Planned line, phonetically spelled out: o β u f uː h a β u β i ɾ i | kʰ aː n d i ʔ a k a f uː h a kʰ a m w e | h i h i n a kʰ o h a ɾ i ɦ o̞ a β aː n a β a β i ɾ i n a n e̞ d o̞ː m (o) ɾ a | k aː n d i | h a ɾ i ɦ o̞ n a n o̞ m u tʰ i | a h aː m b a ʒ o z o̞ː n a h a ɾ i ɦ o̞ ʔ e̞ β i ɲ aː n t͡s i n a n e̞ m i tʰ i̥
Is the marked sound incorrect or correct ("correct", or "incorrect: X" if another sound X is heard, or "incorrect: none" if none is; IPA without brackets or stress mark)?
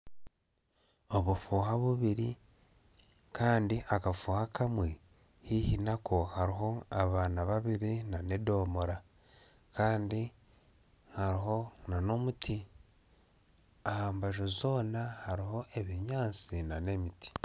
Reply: correct